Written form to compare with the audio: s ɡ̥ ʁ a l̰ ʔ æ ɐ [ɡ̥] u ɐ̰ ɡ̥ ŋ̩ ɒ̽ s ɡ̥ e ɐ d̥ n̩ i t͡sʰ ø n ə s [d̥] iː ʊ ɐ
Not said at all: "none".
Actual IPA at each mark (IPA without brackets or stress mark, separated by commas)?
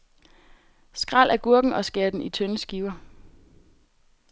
ɡ̥, ɡ̥